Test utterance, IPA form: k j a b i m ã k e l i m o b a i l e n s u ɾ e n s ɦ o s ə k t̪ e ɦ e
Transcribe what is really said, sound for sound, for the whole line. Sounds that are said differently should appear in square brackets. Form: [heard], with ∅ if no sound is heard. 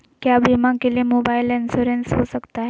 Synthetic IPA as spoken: k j a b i m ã k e l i m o b a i l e n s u ɾ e n s ɦ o s ə k t̪ [a] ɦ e